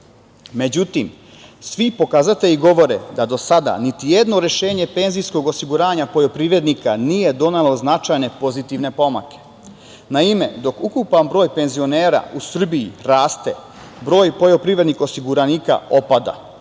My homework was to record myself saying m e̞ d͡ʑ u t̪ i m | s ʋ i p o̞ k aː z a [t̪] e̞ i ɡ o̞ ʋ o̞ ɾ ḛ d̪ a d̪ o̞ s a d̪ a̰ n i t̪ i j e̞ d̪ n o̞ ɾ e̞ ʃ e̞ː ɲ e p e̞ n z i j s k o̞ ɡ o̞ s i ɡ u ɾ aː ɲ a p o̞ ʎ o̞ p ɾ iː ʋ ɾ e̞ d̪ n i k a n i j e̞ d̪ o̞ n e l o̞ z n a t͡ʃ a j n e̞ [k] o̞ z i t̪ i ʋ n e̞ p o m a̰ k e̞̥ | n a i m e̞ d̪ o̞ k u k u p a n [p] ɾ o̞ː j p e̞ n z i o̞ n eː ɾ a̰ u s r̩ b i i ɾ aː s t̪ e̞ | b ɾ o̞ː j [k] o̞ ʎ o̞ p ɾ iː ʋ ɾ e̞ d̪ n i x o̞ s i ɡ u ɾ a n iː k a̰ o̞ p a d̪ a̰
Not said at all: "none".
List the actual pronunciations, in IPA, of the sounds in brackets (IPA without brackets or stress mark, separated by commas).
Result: t̪, p, b, p